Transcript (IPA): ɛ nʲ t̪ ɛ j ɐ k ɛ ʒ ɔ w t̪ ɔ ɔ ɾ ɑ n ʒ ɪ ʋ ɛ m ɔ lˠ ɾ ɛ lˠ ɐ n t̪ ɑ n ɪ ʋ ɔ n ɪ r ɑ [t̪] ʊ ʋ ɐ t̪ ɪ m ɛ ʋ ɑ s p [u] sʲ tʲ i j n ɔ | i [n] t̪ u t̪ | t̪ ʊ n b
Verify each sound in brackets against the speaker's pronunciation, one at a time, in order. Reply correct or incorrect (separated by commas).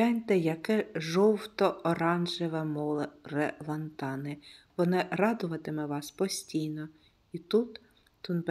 incorrect, incorrect, incorrect